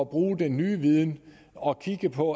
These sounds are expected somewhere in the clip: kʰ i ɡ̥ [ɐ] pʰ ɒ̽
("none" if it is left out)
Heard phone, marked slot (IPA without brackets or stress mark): ə